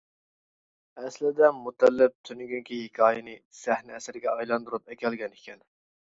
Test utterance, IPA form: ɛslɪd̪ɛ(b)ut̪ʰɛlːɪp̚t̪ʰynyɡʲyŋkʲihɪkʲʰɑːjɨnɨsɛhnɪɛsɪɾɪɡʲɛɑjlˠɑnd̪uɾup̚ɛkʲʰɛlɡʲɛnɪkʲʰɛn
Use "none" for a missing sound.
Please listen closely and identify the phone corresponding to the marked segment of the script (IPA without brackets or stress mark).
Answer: m